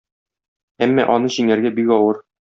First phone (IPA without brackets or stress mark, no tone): æ